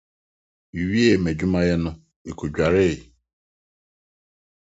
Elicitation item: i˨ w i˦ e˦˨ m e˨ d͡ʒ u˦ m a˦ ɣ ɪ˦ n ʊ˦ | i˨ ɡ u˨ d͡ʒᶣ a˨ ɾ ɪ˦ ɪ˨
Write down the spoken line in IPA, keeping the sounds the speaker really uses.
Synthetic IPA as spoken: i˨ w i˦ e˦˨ m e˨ d͡ʒ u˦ m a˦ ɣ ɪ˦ n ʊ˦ | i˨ k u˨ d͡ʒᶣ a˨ ɾ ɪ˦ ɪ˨